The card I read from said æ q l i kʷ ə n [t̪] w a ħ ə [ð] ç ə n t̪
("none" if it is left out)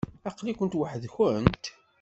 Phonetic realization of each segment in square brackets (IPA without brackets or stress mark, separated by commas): t̪, ð